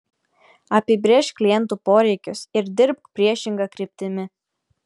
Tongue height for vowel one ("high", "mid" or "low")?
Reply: low